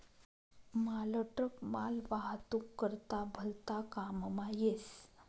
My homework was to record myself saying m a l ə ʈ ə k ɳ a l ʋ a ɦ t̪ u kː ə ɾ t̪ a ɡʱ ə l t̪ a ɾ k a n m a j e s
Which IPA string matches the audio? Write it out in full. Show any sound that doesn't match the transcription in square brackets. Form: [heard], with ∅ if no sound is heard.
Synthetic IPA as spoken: m a l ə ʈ ə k [m] a l ʋ a ɦ t̪ u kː ə ɾ t̪ a [bʱ] ə l t̪ a [∅] k a [m] m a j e s